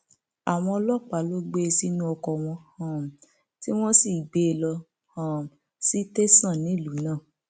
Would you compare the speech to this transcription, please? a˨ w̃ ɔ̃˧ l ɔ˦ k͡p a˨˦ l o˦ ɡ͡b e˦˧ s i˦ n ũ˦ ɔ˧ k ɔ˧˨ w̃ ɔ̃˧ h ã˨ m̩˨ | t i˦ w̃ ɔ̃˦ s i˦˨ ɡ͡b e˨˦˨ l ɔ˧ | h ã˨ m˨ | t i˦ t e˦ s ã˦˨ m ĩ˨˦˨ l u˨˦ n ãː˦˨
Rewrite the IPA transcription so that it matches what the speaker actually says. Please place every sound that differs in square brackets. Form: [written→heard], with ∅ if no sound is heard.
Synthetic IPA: a˨ w̃ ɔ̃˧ l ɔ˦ k͡p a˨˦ l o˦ ɡ͡b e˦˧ s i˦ n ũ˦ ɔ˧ k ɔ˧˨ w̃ ɔ̃˧ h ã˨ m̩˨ | t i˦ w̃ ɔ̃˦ s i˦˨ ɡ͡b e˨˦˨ l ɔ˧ | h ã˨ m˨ | [t→s] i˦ t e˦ s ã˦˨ [m→n] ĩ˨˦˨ l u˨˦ n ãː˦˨